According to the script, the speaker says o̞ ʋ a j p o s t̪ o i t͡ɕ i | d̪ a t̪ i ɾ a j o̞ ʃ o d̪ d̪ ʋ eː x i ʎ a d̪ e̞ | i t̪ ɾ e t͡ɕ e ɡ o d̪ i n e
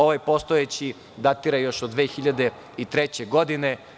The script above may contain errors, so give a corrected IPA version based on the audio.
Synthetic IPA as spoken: o̞ ʋ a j p o s t̪ o e t͡ɕ i | d̪ a t̪ i ɾ a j o̞ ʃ o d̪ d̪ ʋ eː x i ʎ a d̪ e̞ | i t̪ ɾ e t͡ɕ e ɡ o d̪ i n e